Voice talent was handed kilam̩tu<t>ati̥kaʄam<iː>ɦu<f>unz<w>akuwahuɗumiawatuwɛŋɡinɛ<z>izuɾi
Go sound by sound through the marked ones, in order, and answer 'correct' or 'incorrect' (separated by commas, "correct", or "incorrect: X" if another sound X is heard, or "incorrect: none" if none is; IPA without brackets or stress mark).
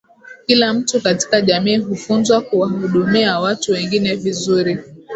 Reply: incorrect: k, correct, correct, correct, incorrect: v